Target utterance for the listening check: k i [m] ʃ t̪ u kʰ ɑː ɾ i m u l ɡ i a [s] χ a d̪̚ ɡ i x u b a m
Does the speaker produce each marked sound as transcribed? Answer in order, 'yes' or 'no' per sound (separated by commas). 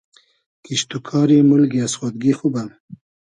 no, yes